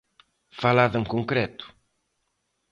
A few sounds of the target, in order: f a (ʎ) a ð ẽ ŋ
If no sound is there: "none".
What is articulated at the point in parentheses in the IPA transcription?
l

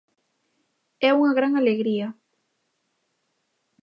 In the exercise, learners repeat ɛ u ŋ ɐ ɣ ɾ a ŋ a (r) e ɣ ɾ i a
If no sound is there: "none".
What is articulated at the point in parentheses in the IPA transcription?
l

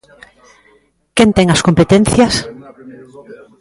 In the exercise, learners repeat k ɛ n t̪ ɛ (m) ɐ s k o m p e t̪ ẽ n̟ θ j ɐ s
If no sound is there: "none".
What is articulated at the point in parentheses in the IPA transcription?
ŋ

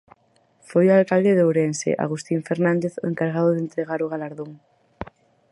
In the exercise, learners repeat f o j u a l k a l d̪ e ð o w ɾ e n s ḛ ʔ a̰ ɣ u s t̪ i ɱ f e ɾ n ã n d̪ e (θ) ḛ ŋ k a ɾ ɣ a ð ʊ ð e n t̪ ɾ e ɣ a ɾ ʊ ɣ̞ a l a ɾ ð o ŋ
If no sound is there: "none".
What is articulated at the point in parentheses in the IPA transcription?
θ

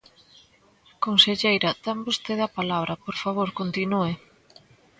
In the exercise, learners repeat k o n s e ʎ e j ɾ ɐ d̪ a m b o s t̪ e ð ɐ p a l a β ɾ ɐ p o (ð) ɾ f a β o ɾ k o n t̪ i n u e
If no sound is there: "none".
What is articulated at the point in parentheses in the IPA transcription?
none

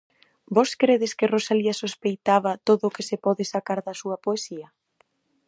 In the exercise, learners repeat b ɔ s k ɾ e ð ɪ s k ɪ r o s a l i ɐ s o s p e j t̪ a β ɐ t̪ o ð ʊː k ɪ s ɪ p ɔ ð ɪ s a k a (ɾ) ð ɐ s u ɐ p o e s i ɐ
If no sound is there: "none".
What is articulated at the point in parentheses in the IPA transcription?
ɾ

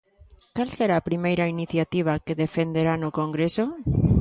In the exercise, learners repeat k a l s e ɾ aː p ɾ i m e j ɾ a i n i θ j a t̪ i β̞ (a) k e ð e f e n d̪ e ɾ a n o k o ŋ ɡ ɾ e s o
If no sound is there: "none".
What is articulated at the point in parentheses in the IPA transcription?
a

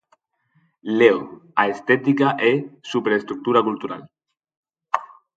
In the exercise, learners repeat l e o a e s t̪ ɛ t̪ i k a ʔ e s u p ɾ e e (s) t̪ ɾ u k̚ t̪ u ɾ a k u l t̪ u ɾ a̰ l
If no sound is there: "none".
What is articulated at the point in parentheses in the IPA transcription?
s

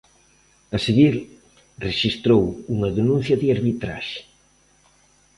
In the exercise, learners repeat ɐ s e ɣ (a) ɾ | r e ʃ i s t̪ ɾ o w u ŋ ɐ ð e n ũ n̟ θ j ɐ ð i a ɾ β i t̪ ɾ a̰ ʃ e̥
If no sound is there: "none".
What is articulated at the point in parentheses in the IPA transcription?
i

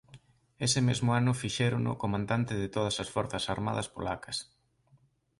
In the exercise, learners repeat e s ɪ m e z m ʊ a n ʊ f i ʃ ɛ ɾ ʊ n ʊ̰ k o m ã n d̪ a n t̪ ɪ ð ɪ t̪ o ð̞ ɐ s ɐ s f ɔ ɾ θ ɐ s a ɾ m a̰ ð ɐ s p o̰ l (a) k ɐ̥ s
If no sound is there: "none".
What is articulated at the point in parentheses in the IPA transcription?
a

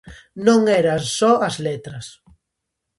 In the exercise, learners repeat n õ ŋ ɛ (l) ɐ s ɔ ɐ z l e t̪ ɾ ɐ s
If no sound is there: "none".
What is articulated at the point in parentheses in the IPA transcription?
ɾ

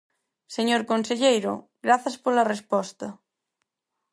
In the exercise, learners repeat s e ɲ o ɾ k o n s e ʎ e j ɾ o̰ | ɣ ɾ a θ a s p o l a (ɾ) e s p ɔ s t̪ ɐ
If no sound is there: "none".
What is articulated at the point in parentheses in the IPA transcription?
r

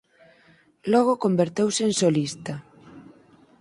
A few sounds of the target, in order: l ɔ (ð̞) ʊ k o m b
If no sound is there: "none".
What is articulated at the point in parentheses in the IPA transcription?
ɣ̞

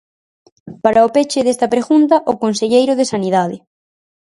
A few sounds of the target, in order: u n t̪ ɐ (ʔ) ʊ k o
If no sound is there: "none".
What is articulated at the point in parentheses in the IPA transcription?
ʔ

